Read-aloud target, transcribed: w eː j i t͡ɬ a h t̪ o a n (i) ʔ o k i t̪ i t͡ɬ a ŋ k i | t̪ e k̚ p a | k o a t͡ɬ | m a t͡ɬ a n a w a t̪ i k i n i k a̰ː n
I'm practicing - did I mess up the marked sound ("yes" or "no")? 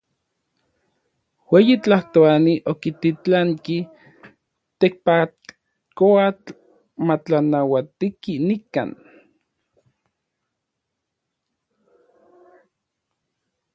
no